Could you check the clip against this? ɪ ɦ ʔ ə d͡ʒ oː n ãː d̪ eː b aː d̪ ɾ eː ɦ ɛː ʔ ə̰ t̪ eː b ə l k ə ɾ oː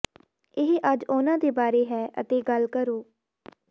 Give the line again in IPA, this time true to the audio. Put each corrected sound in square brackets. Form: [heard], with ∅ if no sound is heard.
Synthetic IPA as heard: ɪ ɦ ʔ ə d͡ʒ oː n ãː d̪ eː b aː [∅] ɾ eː ɦ ɛː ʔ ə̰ t̪ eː [ɡ] ə l k ə ɾ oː

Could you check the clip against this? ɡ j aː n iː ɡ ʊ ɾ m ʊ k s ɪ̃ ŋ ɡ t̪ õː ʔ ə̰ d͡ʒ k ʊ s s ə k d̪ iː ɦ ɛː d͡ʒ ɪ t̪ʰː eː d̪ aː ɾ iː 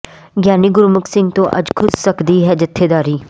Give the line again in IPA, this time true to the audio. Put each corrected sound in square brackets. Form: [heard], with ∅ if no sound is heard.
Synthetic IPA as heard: ɡ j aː n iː ɡ ʊ ɾ m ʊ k s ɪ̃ ŋ ɡ t̪ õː ʔ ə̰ d͡ʒ [kʰ] ʊ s s ə k d̪ iː ɦ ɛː d͡ʒ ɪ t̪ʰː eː d̪ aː ɾ iː

